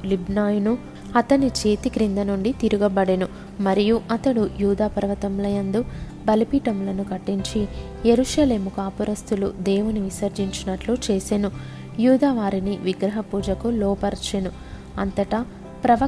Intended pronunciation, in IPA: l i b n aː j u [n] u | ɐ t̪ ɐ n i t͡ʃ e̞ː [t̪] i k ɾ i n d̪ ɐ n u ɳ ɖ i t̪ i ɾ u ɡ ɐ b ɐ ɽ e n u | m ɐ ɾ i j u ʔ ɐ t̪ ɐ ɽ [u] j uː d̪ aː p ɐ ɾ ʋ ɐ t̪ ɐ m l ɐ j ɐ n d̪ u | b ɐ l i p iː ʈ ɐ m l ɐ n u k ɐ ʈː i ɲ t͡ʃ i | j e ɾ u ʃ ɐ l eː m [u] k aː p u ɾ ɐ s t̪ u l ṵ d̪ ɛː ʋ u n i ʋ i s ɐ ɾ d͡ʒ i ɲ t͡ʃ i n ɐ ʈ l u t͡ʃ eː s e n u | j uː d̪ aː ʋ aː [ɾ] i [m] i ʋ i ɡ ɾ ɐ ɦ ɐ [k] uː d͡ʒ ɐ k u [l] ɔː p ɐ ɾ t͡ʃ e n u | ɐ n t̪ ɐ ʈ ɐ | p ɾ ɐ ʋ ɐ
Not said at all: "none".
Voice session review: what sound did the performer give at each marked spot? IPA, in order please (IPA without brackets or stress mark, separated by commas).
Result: n, t̪, u, u, ɾ, n, p, l